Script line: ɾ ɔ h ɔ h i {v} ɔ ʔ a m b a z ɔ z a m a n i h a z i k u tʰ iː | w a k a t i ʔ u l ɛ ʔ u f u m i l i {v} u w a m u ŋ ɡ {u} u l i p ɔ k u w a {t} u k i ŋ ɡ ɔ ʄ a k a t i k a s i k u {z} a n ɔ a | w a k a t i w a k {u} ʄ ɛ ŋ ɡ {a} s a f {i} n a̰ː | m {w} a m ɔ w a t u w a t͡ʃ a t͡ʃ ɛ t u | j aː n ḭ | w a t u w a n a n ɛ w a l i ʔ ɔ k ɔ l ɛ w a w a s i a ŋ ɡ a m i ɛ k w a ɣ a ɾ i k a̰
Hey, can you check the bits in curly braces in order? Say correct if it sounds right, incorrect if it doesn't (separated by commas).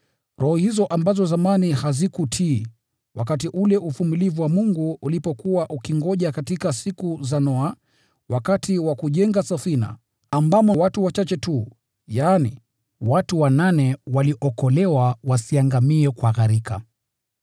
incorrect, correct, correct, incorrect, correct, correct, correct, correct, incorrect